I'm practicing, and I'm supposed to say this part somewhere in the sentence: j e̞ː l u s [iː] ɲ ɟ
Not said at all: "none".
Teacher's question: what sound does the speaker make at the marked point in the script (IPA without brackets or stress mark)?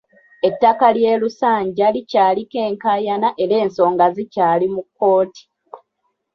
aː